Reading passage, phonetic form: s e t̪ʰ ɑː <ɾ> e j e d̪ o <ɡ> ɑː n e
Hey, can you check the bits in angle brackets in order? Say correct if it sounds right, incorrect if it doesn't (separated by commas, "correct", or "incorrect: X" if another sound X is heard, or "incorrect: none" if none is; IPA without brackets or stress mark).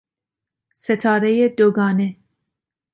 correct, correct